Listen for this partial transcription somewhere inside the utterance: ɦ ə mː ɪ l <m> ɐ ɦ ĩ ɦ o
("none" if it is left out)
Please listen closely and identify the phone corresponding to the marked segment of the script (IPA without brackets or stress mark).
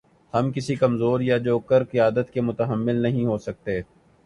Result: n